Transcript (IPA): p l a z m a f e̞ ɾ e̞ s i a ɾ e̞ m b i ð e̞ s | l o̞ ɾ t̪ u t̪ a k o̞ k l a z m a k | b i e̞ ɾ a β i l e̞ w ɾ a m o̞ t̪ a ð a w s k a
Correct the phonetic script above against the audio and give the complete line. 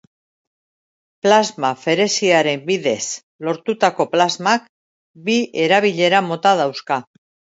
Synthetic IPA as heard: p l a z m a f e̞ ɾ e̞ s i a ɾ e̞ m b i ð e̞ s | l o̞ ɾ t̪ u t̪ a k o̞ p l a z m a k | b i e̞ ɾ a β i ʎ e̞ ɾ a m o̞ t̪ a ð a w s k a